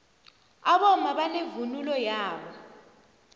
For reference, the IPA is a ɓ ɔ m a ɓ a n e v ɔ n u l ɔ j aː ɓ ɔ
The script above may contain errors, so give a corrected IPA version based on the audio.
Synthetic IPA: a ɓ ɔ m a ɓ a n e v u n u l ɔ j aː ɓ ɔ